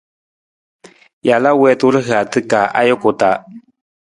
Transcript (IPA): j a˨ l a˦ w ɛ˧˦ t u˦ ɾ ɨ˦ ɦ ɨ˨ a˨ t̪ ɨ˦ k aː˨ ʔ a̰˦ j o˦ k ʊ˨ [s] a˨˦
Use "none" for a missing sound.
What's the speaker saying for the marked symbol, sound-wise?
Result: t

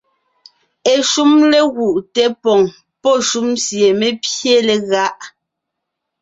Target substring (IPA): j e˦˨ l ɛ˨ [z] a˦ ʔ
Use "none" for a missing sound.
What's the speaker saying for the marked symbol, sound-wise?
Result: ɣ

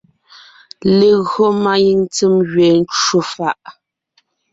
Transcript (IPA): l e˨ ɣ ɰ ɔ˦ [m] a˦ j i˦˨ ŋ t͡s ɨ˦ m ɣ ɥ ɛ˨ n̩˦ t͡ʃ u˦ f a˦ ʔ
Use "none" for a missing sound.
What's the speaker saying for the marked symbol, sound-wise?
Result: m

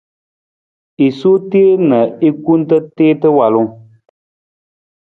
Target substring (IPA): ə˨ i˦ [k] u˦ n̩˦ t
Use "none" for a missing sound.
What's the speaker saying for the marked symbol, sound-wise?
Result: k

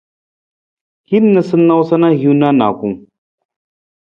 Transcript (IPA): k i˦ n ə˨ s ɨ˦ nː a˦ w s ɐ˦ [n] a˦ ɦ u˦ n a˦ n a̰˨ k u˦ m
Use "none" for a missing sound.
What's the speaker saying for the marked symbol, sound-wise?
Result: n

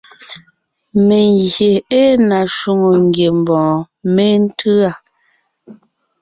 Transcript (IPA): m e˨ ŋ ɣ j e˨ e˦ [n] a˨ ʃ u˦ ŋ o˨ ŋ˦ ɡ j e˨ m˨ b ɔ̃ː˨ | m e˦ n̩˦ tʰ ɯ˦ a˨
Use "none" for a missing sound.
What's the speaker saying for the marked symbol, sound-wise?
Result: n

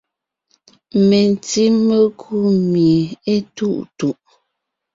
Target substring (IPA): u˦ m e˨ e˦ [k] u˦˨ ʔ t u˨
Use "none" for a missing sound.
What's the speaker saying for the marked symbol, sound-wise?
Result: t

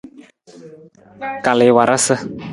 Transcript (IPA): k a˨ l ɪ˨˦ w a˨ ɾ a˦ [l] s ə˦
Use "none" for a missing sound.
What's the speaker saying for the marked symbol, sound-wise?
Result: none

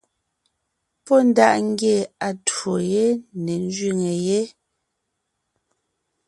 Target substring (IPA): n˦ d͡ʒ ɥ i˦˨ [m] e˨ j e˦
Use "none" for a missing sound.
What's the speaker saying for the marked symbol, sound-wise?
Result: ŋ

